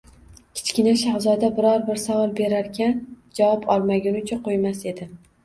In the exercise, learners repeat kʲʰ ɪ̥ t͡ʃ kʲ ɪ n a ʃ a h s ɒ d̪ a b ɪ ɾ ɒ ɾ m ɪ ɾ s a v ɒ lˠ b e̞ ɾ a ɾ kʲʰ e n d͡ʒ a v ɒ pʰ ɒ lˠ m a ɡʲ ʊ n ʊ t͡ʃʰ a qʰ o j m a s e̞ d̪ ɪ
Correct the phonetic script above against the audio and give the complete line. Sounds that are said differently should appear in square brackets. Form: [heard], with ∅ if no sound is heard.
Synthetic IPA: kʲʰ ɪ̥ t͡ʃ kʲ ɪ n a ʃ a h [z] ɒ d̪ a b ɪ ɾ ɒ ɾ [b] ɪ ɾ s a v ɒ lˠ b e̞ ɾ a ɾ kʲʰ [a] n d͡ʒ a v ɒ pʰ ɒ lˠ m a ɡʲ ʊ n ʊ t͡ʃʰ a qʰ o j m a s e̞ d̪ ɪ